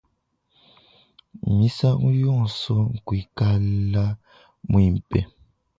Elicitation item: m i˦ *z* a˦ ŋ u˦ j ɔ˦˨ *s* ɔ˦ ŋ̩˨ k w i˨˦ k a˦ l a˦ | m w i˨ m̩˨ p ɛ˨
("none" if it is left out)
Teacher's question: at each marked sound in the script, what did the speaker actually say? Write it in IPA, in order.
s, s

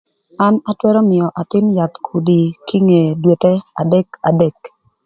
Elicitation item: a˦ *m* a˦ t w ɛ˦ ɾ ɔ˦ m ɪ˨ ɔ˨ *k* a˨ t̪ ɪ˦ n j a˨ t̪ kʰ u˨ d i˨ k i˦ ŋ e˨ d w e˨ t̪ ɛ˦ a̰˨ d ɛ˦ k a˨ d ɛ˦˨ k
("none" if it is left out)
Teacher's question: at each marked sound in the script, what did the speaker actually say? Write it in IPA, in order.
n, ʔ

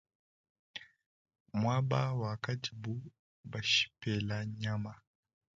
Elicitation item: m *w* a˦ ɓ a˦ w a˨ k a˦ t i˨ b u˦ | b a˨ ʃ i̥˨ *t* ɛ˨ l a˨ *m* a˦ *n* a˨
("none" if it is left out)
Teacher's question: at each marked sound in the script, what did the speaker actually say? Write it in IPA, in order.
w, p, ɲ, m

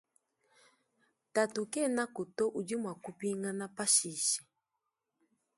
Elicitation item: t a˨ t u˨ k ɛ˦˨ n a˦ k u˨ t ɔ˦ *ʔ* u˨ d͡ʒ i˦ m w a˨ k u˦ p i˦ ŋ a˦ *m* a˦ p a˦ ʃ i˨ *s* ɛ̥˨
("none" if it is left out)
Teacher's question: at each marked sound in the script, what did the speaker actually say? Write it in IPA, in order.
ʔ, n, ʃ

